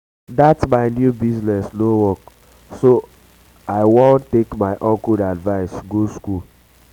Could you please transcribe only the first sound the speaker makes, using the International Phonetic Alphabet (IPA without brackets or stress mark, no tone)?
d